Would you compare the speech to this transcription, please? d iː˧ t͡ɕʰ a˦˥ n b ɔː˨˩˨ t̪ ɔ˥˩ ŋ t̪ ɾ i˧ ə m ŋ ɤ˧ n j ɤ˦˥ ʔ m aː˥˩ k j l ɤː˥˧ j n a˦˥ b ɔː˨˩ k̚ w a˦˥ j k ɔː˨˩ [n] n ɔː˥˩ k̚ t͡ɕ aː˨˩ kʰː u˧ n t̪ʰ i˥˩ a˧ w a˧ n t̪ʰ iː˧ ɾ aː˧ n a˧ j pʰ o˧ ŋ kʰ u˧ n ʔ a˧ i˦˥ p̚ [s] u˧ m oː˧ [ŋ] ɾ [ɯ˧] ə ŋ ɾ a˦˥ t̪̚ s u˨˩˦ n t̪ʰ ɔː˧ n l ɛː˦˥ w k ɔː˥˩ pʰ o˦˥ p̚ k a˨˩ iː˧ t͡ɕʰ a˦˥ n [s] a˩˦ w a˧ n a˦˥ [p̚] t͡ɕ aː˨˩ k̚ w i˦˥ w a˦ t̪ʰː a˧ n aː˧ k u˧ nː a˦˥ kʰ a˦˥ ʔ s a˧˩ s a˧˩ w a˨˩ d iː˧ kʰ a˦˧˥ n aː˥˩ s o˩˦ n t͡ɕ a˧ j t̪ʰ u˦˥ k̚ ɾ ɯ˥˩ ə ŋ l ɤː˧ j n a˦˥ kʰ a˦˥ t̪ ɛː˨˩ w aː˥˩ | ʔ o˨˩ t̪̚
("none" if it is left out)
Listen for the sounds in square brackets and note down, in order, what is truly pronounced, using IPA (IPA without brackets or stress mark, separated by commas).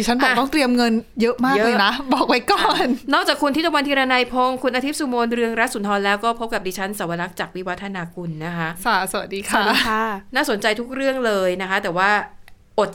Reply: n, s, n, ɯ˧, s, k̚